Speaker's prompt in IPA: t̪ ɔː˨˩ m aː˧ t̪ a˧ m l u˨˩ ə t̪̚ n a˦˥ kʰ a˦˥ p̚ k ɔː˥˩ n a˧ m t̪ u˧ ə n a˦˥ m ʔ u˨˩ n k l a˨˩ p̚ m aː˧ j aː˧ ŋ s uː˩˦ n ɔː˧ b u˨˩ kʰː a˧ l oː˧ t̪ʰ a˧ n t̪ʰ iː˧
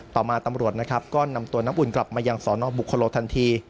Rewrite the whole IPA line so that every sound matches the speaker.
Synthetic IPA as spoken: t̪ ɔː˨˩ m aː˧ t̪ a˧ m ɾ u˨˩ ə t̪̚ n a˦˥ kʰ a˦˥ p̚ k ɔː˥˩ n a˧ m t̪ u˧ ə n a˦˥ m ʔ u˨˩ n k l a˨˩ p̚ m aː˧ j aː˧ ŋ s ɔː˩˦ n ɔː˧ b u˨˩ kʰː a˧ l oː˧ t̪ʰ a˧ n t̪ʰ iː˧